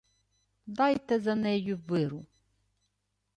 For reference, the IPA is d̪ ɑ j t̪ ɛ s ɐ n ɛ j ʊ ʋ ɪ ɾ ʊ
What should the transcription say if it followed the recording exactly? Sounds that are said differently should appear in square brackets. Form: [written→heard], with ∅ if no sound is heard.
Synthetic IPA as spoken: d̪ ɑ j t̪ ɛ [s→z] ɐ n ɛ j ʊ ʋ ɪ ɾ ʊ